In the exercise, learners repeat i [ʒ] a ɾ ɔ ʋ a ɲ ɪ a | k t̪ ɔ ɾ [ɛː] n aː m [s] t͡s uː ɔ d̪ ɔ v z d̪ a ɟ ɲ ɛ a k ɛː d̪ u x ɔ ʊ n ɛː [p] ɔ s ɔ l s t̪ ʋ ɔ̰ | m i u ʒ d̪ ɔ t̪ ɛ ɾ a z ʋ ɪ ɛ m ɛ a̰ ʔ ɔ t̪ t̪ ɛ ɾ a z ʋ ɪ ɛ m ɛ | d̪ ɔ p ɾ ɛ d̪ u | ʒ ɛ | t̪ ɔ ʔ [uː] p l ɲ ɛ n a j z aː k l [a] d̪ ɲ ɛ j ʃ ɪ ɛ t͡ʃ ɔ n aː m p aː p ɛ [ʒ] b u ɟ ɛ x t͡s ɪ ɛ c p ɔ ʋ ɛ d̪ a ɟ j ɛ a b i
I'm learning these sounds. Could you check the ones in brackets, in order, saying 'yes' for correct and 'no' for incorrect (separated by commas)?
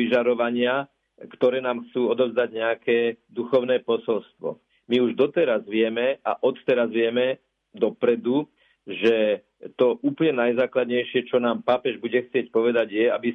yes, yes, no, yes, yes, yes, yes